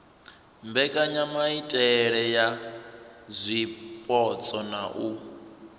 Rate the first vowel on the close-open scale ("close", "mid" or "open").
mid